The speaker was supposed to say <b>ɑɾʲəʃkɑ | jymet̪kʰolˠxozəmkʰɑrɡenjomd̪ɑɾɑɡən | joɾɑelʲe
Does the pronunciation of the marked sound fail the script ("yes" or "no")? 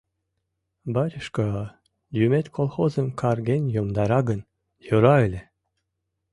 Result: no